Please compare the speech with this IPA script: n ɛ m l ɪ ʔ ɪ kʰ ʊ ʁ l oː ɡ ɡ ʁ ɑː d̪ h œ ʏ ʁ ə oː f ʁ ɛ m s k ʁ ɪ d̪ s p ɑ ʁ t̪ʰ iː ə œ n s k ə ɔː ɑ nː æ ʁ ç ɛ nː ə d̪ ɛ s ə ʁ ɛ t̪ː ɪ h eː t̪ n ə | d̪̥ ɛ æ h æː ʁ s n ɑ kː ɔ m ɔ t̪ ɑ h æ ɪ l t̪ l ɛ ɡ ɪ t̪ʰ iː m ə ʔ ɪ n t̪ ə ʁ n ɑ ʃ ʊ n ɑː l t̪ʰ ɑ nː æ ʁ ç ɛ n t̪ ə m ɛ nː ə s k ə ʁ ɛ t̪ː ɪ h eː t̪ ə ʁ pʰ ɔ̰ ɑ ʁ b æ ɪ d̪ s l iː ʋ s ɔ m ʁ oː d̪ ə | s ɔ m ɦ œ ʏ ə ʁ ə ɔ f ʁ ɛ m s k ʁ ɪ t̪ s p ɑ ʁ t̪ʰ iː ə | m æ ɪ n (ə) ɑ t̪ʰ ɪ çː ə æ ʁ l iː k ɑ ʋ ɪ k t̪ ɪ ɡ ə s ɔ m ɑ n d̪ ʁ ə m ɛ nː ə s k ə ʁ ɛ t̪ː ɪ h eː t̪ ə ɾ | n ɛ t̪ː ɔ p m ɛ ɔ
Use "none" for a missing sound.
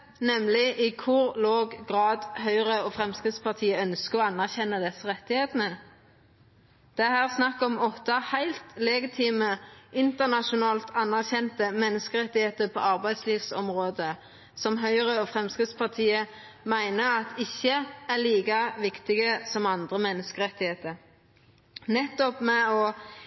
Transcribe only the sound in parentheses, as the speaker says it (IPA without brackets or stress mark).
ə